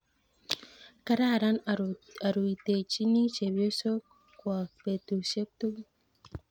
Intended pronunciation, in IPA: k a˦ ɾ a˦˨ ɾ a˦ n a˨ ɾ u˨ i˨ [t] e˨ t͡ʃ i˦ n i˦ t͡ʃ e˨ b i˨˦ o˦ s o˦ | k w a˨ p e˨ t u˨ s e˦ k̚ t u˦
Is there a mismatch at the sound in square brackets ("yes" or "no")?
no